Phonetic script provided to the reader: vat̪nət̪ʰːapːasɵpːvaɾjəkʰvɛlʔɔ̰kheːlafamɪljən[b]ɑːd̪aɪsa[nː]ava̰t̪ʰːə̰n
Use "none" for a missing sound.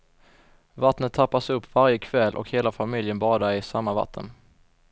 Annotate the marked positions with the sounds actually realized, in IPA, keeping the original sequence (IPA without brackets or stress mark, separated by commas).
b, mː